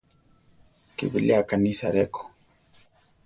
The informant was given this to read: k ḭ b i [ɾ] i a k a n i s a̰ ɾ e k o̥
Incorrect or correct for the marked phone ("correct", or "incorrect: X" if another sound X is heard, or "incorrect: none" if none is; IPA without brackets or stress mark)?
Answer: incorrect: l